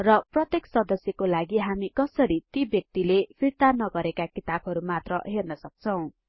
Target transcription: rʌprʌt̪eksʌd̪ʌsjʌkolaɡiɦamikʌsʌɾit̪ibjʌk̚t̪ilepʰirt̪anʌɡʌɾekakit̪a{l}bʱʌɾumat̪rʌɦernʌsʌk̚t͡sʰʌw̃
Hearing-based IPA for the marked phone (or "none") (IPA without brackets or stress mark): none